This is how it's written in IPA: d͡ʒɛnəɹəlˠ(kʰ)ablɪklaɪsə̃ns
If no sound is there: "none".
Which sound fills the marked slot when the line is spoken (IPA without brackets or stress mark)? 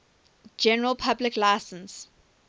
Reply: pʰ